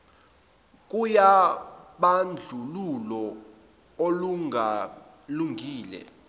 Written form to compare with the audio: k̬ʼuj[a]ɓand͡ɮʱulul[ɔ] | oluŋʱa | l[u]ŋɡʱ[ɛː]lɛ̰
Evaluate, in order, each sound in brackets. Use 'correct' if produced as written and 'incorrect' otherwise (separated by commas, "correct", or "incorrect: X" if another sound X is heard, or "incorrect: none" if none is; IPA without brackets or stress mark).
correct, correct, correct, incorrect: iː